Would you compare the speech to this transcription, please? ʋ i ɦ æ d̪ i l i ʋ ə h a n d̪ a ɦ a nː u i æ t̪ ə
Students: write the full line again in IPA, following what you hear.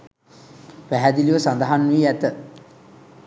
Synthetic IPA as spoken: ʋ æ ɦ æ d̪ i l i ʋ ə s a n d̪ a ɦ a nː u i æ t̪ ə

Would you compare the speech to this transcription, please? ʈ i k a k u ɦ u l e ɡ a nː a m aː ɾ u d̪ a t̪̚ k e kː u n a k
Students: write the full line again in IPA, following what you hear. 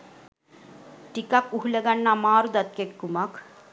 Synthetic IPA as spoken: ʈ i k a k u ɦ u l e ɡ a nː a m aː ɾ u d̪ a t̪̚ k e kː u m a k

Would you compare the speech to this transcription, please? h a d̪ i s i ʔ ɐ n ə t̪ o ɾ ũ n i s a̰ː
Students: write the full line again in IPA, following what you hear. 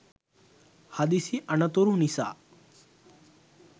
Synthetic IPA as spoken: h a d̪ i s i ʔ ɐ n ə t̪ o ɾ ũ n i s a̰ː

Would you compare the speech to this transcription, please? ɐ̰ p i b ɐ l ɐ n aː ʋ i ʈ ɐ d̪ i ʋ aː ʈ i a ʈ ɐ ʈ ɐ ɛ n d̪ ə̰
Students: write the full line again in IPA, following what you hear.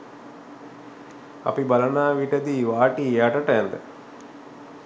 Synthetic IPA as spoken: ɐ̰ p i b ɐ l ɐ n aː ʋ i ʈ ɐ d̪ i ʋ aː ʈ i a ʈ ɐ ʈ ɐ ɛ n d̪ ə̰

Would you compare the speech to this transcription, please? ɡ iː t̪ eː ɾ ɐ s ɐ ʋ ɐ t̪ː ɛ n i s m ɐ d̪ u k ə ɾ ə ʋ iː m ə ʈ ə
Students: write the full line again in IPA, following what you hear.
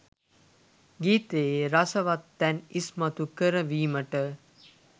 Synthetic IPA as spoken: ɡ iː t̪ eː ɾ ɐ s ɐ ʋ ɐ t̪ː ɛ n i s m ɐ t̪ u k ə ɾ ə ʋ iː m ə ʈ ə

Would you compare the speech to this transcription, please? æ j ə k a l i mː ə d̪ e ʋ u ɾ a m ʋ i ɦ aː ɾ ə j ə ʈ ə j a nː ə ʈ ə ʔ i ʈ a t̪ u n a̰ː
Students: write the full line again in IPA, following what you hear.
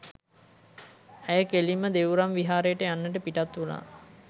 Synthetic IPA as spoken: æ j ə k e l i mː ə d̪ e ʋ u ɾ a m ʋ i ɦ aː ɾ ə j ə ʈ ə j a nː ə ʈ ə p i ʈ a t̪ u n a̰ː

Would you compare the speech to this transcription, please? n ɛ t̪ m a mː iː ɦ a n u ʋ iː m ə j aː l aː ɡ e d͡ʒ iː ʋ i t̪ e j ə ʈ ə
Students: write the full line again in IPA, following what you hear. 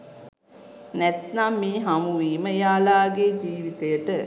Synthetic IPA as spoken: n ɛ t̪ n a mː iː ɦ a m u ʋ iː m ə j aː l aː ɡ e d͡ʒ iː ʋ i t̪ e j ə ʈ ə

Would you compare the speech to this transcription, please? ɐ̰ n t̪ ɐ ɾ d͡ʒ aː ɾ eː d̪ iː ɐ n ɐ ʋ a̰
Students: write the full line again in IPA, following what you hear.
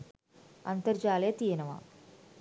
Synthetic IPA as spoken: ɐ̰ n t̪ ɐ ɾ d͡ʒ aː l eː t̪ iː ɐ n ɐ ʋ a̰

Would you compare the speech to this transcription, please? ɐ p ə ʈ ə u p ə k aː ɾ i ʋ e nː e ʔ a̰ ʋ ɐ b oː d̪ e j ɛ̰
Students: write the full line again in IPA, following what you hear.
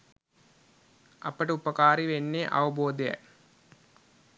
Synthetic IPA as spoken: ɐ p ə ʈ ə u p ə k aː ɾ i ʋ e nː e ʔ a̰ ʋ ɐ b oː d̪ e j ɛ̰

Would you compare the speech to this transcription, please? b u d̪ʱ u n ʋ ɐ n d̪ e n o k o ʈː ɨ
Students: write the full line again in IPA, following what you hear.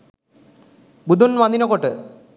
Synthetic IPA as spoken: b u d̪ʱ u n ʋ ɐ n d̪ i n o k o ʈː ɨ

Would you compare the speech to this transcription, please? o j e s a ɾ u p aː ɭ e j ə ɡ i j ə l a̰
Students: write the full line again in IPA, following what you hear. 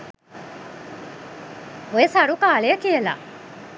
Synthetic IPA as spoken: o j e s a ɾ u k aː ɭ e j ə k i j ə l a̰

